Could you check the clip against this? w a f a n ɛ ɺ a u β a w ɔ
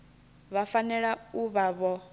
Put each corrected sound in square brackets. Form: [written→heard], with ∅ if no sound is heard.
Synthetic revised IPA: [w→β] a f a n ɛ ɺ a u β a [w→β] ɔ